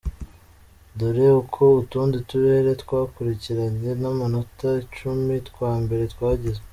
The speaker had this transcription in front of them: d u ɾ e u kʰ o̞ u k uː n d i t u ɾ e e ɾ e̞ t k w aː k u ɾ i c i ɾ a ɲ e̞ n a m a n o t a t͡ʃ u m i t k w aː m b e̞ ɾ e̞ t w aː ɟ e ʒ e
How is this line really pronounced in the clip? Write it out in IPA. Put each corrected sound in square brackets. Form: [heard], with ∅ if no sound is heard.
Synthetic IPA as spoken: d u ɾ e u kʰ o̞ u [t] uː n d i t u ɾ e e ɾ e̞ t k w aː k u ɾ i c i ɾ a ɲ e̞ n a m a n o t a t͡ʃ u m i t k w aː m b e̞ ɾ e̞ t w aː ɟ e [z] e